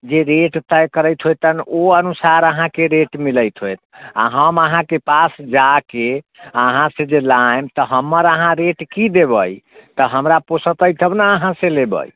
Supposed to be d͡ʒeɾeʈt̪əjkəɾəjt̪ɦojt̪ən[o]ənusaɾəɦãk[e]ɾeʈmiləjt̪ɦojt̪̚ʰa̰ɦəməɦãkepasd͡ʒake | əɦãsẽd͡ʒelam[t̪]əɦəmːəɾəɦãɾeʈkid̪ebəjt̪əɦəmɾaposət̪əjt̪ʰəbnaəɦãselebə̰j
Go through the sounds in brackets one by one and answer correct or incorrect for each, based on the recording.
correct, correct, correct

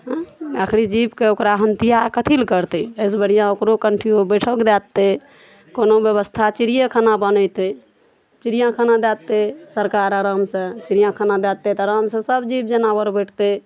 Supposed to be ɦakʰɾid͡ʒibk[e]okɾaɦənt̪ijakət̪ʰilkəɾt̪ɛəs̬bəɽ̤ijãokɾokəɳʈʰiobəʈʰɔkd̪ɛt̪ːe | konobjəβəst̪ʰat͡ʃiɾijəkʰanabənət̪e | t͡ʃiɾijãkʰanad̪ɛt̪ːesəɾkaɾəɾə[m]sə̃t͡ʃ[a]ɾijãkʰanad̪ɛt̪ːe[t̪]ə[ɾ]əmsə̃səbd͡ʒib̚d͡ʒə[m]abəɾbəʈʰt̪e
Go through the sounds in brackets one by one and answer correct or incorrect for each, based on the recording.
correct, correct, incorrect: i, correct, correct, incorrect: n

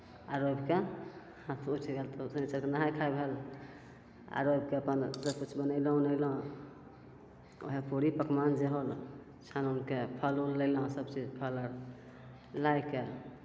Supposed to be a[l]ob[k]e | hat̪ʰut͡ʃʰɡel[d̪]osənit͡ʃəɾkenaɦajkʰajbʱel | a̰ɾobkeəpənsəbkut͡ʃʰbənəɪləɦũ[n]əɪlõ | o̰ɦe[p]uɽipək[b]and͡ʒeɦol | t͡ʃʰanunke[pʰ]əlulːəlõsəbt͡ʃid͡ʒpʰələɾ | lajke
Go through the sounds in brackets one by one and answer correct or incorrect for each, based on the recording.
incorrect: ɾ, correct, incorrect: t̪, correct, correct, incorrect: m, correct

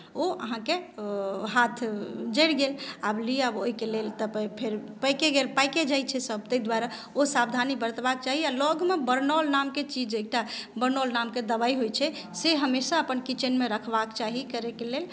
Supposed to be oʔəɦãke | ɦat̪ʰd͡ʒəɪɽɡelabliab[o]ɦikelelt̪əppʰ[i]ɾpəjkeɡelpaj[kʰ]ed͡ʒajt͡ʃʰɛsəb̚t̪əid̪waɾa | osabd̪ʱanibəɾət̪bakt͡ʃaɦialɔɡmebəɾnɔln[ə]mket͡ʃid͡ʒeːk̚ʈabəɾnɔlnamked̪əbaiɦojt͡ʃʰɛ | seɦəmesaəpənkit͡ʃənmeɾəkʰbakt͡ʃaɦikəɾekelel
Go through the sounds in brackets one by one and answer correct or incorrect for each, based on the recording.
correct, incorrect: e, incorrect: k, incorrect: a

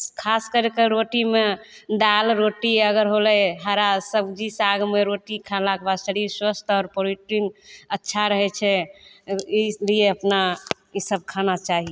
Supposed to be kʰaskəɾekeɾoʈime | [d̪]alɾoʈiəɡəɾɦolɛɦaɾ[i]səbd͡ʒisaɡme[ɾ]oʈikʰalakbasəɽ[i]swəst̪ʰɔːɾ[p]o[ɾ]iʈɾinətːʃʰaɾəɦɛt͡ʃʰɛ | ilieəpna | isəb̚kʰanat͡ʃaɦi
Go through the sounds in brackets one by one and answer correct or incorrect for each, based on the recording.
correct, incorrect: a, correct, correct, correct, correct

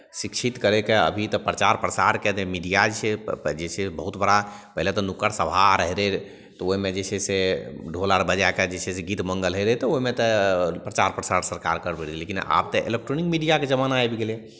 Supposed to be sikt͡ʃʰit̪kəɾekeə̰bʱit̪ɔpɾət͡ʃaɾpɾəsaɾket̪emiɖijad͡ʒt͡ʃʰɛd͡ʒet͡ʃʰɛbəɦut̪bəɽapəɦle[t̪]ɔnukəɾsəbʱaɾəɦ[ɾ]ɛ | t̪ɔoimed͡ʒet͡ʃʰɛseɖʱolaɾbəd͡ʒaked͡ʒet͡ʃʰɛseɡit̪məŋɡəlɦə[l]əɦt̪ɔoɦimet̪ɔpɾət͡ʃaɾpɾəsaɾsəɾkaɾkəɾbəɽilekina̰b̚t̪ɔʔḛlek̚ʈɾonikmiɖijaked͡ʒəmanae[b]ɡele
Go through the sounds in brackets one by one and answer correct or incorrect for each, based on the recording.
correct, correct, incorrect: ɾ, correct

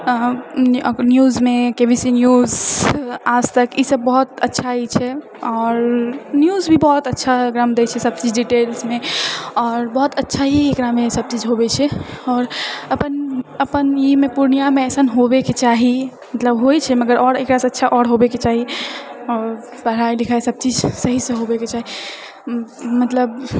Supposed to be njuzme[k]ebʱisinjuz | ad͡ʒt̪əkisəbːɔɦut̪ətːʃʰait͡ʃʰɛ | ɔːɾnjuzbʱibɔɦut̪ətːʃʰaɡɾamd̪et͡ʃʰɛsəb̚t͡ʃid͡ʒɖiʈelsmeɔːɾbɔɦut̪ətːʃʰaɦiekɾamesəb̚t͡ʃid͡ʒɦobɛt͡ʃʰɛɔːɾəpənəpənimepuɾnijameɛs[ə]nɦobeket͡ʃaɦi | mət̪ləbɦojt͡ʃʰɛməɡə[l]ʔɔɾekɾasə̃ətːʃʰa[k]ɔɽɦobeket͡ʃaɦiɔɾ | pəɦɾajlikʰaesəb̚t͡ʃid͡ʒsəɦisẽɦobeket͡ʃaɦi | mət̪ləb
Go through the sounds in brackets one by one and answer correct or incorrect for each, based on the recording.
correct, correct, incorrect: ɾ, incorrect: ʔ

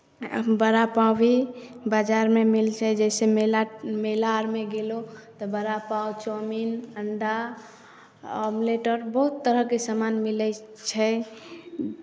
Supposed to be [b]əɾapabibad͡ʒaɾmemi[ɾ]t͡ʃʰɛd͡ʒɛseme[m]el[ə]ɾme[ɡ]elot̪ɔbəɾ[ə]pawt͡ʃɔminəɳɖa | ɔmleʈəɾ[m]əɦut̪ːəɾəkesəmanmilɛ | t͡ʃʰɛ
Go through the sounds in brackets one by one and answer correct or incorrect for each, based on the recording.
correct, incorrect: l, correct, incorrect: a, correct, incorrect: a, incorrect: b

